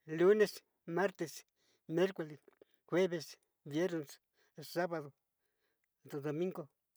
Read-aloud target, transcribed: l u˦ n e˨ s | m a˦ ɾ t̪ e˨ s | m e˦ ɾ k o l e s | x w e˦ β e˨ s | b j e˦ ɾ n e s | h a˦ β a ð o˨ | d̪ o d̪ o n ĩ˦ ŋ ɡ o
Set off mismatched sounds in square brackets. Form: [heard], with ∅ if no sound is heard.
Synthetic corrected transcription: l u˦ n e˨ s | m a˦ ɾ t̪ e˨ s | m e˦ ɾ k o l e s | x w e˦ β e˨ s | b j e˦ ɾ n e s | [s] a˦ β a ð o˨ | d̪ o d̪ o [m] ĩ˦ ŋ ɡ o

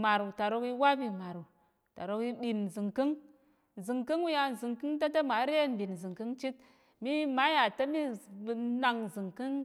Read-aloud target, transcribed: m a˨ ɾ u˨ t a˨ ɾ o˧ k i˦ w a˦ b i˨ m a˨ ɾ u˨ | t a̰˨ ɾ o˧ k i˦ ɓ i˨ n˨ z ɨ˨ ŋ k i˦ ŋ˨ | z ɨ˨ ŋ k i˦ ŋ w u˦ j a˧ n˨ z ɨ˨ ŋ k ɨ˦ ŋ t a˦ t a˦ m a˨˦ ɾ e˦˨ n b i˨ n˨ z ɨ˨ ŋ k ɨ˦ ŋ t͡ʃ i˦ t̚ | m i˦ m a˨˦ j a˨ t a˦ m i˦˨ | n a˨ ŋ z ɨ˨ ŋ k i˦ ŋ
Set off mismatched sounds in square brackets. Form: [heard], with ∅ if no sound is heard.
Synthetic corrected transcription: m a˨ ɾ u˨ t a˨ ɾ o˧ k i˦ w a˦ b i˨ m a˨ ɾ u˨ | t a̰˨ ɾ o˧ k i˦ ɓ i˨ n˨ z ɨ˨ ŋ k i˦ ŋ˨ | z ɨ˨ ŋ k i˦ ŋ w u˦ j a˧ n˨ z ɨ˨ ŋ k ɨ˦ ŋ t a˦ t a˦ m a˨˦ ɾ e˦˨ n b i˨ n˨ z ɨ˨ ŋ k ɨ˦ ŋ t͡ʃ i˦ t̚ | m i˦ m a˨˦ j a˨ t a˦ m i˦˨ | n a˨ ŋ z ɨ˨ ŋ k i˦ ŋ

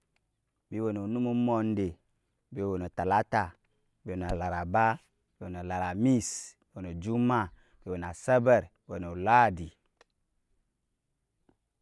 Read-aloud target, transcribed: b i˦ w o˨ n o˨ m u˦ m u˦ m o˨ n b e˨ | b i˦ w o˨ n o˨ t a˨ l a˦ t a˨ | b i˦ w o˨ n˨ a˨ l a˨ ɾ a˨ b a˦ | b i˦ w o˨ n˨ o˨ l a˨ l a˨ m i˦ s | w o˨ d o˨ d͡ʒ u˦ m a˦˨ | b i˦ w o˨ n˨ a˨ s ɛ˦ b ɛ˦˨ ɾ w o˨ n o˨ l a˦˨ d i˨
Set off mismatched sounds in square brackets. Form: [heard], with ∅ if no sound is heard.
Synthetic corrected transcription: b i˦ w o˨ n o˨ [n] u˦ m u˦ m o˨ n [d] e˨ | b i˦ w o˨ n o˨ t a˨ l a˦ t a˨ | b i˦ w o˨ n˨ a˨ l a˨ ɾ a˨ b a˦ | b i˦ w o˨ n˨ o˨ l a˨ [ɾ] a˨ m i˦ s | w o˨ [n] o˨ d͡ʒ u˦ m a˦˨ | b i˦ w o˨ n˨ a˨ s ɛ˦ b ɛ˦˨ ɾ w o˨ n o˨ l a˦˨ d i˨

